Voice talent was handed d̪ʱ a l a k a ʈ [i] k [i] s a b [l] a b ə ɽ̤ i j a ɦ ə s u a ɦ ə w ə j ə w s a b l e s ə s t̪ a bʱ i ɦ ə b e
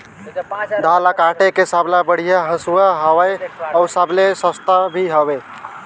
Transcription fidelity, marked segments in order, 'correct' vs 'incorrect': incorrect, incorrect, correct

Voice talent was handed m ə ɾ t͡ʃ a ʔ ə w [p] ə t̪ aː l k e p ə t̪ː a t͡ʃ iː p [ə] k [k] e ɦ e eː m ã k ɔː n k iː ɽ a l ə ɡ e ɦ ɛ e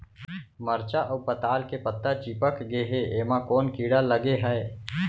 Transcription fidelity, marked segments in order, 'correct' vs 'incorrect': correct, correct, incorrect

